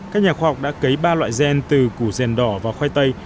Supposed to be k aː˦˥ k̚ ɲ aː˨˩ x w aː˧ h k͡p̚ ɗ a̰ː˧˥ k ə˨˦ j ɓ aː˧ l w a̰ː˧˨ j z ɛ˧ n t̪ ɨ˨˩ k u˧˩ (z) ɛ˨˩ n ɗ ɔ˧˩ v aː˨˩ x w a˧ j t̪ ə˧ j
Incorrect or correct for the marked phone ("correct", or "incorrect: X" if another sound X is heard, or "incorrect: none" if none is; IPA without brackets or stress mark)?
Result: correct